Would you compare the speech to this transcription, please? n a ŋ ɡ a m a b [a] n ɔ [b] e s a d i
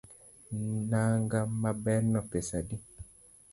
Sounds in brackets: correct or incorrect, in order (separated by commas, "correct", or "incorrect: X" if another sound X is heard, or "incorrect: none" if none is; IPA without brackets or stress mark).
incorrect: ɛ, incorrect: p